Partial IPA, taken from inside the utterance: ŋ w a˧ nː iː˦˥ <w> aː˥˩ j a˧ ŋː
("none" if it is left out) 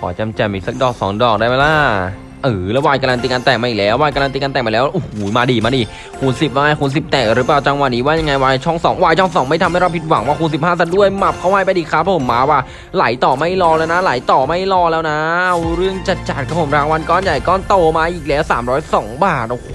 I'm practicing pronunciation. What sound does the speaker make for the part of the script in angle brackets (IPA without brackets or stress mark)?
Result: w